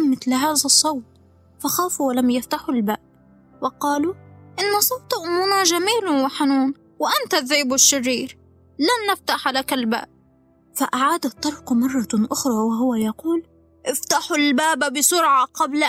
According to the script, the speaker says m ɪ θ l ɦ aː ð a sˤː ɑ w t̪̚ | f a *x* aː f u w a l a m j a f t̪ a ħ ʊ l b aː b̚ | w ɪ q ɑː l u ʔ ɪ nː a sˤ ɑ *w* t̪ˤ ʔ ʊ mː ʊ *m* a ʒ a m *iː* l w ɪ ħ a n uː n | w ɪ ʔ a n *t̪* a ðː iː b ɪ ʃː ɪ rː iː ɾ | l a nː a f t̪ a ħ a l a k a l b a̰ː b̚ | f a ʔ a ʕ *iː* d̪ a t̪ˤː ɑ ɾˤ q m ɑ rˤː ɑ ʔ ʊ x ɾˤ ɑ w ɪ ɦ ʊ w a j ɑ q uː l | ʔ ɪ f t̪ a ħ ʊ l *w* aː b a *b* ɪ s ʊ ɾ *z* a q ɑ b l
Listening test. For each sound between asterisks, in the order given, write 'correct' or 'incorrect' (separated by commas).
correct, correct, incorrect, correct, correct, incorrect, incorrect, correct, incorrect